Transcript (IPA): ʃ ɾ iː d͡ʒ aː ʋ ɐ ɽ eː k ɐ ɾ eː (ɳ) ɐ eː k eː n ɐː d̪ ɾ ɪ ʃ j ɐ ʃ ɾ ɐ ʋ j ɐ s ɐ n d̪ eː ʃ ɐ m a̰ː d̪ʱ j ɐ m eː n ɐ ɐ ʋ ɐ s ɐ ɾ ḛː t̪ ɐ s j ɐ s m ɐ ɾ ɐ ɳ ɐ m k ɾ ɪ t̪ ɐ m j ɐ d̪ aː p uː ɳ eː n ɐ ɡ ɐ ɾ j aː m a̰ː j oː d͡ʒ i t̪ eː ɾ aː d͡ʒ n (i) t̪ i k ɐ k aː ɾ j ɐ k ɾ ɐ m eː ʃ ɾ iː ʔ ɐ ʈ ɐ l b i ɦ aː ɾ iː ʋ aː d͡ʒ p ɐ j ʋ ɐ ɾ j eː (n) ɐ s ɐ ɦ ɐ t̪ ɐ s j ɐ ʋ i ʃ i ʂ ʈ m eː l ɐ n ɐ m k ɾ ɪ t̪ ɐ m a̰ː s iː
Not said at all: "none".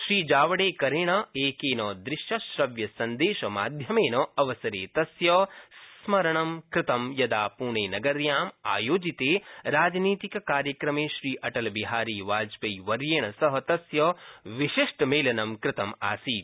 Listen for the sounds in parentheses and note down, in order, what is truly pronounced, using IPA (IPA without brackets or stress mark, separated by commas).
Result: ɳ, iː, ɳ